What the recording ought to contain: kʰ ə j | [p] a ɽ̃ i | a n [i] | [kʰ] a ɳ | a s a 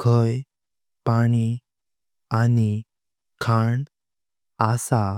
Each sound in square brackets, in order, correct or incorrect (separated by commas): correct, correct, correct